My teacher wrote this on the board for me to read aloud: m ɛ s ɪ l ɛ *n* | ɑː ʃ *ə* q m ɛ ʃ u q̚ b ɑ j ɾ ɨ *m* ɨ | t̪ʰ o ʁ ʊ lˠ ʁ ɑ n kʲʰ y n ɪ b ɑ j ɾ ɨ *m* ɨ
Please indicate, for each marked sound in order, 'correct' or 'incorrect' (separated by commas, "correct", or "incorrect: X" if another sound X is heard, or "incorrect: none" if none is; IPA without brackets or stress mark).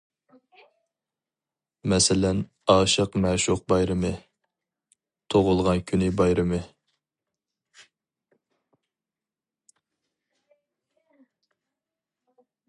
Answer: correct, correct, correct, correct